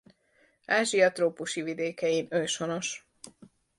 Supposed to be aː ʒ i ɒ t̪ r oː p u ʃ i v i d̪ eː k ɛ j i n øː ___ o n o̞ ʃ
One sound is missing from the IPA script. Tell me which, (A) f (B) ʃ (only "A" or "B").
B